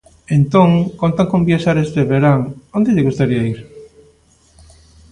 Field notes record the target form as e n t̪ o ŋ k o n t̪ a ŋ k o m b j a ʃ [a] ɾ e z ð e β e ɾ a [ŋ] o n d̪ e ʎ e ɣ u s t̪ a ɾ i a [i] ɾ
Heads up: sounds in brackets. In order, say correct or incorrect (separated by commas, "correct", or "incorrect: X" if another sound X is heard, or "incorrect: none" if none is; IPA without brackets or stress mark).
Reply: correct, correct, correct